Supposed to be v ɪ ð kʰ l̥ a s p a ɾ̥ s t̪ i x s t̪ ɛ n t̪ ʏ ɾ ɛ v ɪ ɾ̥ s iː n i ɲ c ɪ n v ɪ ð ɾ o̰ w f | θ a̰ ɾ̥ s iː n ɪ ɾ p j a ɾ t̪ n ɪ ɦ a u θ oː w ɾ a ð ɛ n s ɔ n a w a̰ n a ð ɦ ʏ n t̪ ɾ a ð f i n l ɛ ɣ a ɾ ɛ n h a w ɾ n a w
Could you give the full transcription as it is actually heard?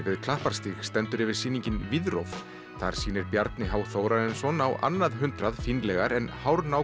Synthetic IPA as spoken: v ɪ ð kʰ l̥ a h p a ɾ̥ s t̪ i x s t̪ ɛ n t̪ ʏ ɾ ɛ v ɪ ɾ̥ s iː n i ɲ c ɪ n v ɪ ð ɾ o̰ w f | θ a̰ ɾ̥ s iː n ɪ ɾ p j a ɾ t̪ n ɪ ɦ a w θ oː w ɾ a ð ɛ n s ɔ n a w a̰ nː a ð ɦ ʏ n t̪ ɾ a ð f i n l ɛ ɣ a ɾ ɛ n h a w ɾ n a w